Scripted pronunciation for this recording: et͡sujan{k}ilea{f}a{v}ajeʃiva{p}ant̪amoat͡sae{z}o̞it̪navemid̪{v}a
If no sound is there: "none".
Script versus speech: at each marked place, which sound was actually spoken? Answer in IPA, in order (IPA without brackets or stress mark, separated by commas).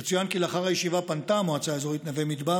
k, χ, ʁ, p, z, b